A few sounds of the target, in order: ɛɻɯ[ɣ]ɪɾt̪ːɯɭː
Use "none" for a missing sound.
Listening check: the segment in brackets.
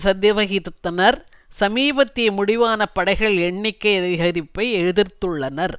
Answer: ð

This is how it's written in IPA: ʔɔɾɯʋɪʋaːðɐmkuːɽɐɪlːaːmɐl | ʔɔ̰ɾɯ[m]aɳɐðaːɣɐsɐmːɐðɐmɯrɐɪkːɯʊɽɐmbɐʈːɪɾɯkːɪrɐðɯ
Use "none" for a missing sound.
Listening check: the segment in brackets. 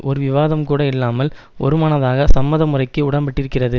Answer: m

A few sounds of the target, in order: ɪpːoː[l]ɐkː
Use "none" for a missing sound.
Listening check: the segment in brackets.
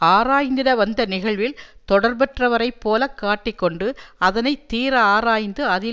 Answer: l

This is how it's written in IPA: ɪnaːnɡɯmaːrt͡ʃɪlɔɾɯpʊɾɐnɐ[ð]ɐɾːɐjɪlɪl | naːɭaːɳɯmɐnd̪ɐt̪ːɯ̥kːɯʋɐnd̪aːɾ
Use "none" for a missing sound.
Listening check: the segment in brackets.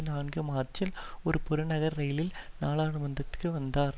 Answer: ɣ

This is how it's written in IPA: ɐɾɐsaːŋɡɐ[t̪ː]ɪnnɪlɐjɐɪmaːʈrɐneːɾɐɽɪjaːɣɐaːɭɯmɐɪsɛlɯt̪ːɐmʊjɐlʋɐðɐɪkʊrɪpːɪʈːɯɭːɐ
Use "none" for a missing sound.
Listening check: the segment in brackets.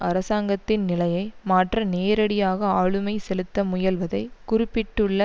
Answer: t̪ː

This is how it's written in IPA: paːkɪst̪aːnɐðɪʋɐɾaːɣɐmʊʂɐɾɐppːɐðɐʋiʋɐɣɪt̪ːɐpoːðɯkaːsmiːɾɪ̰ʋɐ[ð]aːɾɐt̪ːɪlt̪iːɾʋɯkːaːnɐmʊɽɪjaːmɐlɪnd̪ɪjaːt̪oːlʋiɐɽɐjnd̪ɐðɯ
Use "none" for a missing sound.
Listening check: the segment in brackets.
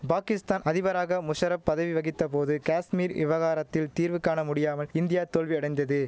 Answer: ɣ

